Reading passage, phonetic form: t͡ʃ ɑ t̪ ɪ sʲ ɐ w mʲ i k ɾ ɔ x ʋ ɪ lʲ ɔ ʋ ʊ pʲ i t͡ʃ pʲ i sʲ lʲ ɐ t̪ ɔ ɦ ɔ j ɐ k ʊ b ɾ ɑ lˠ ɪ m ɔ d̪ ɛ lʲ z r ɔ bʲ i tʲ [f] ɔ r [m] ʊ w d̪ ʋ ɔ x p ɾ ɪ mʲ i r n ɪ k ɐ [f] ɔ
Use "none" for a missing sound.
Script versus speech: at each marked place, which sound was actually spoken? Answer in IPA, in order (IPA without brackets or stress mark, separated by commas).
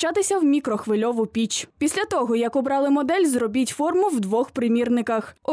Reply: f, m, x